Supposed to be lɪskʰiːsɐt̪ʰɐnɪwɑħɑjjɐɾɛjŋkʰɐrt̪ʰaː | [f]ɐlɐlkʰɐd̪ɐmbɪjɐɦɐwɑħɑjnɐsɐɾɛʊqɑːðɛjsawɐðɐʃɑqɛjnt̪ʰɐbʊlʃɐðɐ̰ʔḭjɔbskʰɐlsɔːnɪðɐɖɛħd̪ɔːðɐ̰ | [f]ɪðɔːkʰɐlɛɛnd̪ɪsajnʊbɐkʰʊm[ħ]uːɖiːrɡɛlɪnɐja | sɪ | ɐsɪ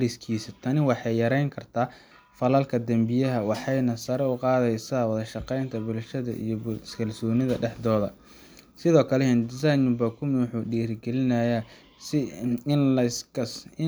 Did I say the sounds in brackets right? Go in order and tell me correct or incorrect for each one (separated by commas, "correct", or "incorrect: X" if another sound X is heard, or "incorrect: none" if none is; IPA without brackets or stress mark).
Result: correct, incorrect: s, correct